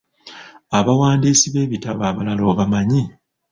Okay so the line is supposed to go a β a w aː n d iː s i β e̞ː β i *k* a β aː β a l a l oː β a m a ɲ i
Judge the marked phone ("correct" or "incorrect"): incorrect